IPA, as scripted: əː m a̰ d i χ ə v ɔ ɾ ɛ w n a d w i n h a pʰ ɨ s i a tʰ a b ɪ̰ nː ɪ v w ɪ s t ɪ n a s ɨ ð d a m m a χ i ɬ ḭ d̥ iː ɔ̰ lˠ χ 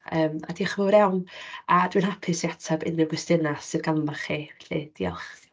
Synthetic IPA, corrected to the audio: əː m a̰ d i χ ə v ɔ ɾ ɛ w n a d w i n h a pʰ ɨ s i a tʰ a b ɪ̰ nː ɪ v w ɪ s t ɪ n a s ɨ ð ɡ a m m a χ i ɬ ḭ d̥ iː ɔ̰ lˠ χ